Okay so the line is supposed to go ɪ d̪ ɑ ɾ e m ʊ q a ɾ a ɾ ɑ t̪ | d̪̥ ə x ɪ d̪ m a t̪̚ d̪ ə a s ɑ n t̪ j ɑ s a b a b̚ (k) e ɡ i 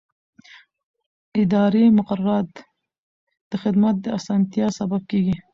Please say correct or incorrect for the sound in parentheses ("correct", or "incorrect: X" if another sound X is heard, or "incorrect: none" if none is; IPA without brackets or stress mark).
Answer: correct